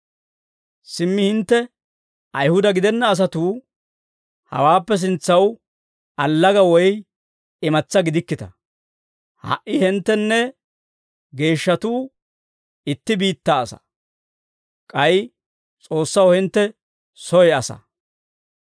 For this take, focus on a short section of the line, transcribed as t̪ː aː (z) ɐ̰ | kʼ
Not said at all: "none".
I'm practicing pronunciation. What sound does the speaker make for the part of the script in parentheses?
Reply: s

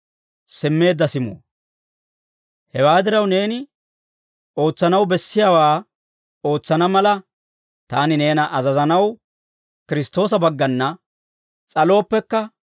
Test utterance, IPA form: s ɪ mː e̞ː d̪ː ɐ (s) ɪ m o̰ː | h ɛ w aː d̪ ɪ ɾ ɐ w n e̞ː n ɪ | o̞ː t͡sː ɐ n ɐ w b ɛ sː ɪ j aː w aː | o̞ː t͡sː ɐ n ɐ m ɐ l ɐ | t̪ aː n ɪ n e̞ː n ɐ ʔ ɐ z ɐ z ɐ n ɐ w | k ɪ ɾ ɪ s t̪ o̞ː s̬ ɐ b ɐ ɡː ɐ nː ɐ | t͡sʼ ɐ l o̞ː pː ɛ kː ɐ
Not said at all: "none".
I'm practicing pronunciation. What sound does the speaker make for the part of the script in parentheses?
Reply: s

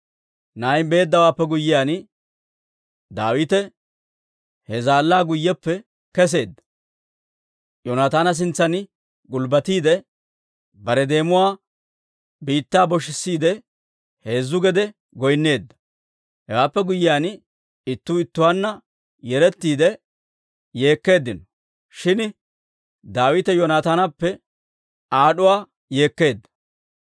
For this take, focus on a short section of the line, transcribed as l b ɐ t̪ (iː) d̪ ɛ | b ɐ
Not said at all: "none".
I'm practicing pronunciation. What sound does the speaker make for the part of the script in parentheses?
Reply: iː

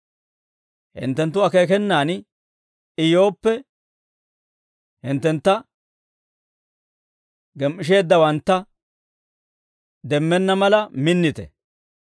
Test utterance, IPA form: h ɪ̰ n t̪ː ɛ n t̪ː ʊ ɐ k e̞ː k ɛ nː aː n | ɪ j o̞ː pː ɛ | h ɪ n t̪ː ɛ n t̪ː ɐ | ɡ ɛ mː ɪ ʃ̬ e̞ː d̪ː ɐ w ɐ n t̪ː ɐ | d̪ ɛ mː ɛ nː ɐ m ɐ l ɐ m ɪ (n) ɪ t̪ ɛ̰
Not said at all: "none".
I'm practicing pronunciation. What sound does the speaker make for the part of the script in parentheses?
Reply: nː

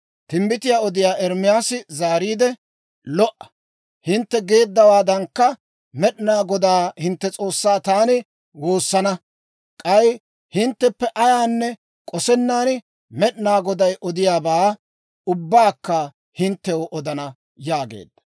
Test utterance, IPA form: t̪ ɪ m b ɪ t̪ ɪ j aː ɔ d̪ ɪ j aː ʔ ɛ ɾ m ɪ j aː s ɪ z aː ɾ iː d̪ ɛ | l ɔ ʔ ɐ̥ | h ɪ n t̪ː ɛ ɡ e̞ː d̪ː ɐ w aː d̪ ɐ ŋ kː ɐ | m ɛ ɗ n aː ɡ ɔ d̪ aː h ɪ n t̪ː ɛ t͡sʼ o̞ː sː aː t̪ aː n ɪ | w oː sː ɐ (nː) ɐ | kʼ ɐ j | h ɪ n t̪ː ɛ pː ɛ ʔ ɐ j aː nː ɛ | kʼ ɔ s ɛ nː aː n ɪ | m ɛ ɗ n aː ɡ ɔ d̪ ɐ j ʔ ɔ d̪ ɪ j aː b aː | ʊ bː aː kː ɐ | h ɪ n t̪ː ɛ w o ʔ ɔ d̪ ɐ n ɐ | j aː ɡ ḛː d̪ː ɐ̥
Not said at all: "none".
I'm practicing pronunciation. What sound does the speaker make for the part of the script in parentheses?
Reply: n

